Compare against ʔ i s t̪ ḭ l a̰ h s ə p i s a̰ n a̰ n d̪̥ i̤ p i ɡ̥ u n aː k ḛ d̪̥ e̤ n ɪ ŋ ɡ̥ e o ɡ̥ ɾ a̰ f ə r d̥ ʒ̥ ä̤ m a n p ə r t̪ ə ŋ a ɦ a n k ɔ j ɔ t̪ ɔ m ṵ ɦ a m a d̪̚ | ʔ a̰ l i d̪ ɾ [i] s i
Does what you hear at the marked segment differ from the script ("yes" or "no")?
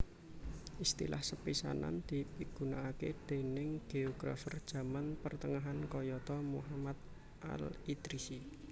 no